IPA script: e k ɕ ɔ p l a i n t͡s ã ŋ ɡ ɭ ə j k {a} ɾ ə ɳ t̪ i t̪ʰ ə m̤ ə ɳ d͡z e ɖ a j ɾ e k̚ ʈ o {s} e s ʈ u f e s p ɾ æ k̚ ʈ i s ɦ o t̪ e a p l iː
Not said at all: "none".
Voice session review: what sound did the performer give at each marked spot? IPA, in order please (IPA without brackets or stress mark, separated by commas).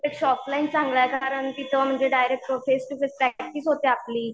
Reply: a, f